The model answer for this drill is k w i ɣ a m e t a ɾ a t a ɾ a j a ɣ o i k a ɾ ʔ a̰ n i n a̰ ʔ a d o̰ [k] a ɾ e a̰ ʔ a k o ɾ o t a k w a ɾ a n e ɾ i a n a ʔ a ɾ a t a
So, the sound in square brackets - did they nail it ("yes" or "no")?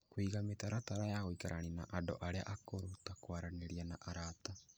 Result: no